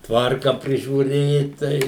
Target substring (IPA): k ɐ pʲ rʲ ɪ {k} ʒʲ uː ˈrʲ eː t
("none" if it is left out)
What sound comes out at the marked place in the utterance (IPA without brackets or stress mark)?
none